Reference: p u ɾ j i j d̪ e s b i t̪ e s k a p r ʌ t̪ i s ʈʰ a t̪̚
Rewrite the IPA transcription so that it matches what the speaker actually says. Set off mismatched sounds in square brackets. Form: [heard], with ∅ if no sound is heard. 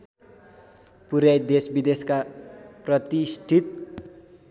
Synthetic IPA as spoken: p u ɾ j [a] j d̪ e s b i [d̪] e s k a p r ʌ t̪ i s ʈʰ [i] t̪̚